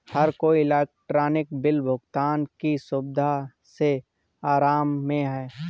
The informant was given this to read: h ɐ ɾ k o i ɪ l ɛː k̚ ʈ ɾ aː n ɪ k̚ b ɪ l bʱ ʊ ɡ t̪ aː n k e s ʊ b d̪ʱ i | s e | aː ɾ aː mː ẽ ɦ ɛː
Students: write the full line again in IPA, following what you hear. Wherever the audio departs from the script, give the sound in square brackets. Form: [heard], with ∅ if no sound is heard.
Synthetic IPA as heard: h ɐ ɾ k o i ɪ l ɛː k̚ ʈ ɾ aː n ɪ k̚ b ɪ l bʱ ʊ ɡ t̪ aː n k [i] s ʊ b d̪ʱ [a] | s e | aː ɾ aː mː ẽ ɦ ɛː